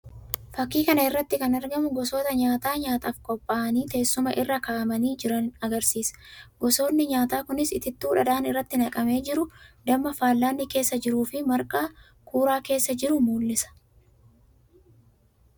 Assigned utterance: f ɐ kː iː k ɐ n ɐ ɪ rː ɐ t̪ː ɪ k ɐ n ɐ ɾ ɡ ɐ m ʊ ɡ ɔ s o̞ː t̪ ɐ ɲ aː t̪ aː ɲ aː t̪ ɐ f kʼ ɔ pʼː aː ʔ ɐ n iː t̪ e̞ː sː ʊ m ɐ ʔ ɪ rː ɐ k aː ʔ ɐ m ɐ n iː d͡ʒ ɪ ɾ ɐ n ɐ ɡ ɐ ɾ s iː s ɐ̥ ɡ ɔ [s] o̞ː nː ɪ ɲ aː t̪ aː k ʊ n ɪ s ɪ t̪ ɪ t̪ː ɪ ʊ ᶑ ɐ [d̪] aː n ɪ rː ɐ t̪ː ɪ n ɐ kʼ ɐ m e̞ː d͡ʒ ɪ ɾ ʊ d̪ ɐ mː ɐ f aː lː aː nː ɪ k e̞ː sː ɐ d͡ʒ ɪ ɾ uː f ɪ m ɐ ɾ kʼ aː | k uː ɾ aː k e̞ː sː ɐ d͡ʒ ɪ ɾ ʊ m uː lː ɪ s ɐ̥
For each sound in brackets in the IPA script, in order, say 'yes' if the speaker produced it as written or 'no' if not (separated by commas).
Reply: yes, yes